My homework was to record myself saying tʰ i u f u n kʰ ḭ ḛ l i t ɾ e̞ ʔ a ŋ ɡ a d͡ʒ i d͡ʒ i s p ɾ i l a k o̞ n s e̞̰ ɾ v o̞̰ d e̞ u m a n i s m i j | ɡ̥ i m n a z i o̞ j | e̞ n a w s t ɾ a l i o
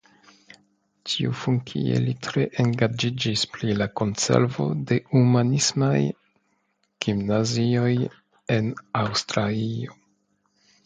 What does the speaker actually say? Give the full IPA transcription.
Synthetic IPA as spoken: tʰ i u f u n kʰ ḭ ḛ l i t ɾ e̞ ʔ e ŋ ɡ a d͡ʒ i d͡ʒ i s p ɾ i l a k o̞ n s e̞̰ ɾ v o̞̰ d e̞ u m a n i s m a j | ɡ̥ i m n a z i o̞ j | e̞ n a w s t ɾ a l i o